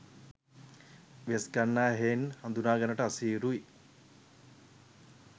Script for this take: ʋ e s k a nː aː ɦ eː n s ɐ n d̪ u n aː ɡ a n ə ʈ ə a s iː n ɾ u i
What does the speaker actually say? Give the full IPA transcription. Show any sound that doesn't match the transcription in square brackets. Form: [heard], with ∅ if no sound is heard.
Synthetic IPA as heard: ʋ e s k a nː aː ɦ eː n [h] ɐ n d̪ u n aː ɡ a n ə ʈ ə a s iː [∅] ɾ u i

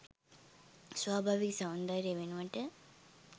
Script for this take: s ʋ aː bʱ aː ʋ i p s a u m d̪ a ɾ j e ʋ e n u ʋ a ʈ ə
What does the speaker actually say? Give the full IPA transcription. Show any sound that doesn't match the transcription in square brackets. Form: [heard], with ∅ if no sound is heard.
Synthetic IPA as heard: s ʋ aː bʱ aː ʋ i [k] s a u [n] d̪ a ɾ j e ʋ e n u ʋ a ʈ ə

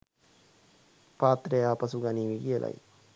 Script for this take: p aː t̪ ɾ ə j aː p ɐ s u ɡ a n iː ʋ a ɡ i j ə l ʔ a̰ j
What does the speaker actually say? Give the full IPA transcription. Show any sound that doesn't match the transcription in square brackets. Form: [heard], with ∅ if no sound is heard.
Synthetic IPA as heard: p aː t̪ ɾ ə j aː p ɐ s u ɡ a n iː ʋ [i] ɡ i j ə l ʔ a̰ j

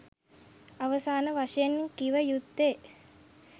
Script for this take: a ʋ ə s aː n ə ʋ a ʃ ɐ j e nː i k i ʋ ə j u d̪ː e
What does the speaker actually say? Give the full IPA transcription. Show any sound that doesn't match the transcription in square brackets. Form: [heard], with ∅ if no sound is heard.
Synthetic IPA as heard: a ʋ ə s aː n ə ʋ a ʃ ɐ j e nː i k i ʋ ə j u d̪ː e

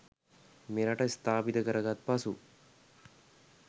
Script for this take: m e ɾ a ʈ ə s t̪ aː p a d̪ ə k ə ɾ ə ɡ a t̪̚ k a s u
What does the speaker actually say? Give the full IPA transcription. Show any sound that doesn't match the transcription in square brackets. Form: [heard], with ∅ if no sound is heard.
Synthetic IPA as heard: m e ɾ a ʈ ə s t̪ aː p [i] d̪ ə k ə ɾ ə ɡ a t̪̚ [p] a s u

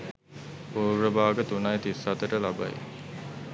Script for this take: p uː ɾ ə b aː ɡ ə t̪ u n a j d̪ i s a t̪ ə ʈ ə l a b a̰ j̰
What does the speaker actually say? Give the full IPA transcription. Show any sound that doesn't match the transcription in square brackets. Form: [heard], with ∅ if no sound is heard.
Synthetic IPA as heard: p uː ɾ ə b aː ɡ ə t̪ u n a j [t̪] i s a t̪ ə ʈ ə l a b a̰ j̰

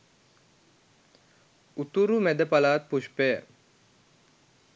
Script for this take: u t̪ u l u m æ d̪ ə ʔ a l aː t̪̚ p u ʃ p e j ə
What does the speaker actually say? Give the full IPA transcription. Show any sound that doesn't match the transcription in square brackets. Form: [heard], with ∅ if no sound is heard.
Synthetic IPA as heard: u t̪ u [ɾ] u m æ d̪ ə [p] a l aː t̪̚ p u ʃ p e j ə

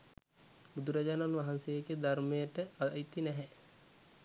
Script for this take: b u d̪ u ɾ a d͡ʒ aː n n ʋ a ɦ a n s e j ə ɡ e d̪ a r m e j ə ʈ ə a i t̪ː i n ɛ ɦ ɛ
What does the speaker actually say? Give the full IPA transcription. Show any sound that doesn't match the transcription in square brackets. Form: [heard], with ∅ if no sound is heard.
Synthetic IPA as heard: b u d̪ u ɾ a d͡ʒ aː n n ʋ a ɦ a n s e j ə ɡ e d̪ a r m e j ə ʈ ə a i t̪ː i n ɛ ɦ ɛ

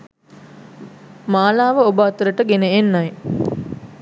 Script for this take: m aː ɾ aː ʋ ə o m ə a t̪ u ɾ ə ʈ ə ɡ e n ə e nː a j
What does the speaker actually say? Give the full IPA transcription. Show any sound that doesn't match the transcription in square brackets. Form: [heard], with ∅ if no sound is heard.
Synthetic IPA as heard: m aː [l] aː ʋ ə o [b] ə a t̪ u ɾ ə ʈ ə ɡ e n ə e nː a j

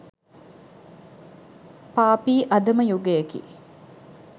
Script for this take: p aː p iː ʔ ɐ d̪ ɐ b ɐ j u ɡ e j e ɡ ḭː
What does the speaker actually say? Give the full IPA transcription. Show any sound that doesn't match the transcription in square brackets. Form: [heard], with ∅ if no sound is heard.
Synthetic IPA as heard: p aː p iː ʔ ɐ d̪ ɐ [m] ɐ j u ɡ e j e [k] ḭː

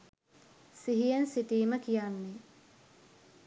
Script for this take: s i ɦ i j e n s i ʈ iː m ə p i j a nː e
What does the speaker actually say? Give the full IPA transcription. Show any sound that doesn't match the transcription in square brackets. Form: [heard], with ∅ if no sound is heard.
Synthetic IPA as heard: s i ɦ i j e n s i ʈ iː m ə [k] i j a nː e

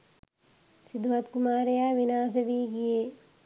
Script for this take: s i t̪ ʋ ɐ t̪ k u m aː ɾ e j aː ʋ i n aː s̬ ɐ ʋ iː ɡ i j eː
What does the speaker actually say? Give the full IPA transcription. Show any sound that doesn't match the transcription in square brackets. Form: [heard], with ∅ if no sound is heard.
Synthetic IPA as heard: s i [d̪] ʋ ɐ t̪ k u m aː ɾ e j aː ʋ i n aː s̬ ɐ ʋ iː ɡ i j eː

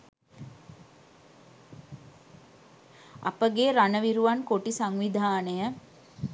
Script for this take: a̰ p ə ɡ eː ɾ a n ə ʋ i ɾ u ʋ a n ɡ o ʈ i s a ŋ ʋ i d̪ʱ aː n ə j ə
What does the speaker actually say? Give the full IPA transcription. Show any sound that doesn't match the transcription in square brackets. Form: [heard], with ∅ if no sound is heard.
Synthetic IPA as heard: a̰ p ə ɡ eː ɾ a n ə ʋ i ɾ u ʋ a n [k] o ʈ i s a ŋ ʋ i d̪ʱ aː n ə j ə

